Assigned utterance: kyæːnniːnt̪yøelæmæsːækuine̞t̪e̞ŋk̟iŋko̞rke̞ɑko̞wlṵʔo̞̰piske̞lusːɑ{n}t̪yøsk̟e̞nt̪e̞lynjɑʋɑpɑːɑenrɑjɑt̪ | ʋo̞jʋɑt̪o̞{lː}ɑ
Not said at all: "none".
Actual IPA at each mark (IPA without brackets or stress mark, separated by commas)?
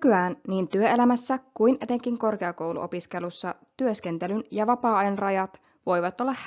none, lː